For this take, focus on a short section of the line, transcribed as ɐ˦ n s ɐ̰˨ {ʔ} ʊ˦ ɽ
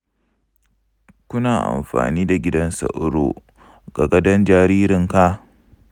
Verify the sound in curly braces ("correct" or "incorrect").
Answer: correct